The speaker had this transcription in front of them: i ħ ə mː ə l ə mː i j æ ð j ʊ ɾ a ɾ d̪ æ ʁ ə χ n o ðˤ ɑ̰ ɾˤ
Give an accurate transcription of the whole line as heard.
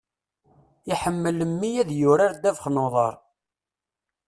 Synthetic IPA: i ħ ə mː ə l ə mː i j æ ð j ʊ ɾ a ɾ d̪ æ v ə χ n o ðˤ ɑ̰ ɾˤ